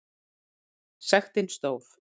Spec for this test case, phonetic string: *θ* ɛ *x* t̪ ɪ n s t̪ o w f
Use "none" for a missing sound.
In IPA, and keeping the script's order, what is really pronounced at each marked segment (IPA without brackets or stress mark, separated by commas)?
s, x